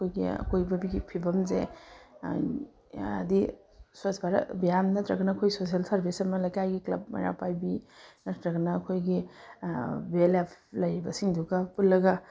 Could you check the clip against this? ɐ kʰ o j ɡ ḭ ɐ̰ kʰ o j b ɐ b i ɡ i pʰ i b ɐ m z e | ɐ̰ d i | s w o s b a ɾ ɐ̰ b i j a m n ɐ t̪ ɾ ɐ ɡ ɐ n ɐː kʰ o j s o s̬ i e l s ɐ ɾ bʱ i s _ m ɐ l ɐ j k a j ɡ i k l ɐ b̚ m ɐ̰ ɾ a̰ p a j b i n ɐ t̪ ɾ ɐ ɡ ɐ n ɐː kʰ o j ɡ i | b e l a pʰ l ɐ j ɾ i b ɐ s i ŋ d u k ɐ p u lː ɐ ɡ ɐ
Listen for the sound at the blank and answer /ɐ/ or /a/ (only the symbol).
ɐ